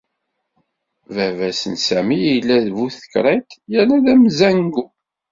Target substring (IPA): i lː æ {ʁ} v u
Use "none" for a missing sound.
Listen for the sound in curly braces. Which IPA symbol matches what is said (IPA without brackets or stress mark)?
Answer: ð